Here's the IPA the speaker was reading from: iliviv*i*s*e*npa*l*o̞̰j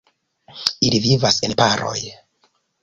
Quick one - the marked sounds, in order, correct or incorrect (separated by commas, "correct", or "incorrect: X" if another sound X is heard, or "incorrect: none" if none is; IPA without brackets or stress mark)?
incorrect: a, correct, incorrect: ɾ